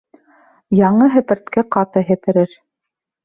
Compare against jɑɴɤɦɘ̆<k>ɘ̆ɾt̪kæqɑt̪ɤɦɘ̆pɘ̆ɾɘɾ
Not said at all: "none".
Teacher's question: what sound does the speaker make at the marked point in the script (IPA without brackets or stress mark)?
p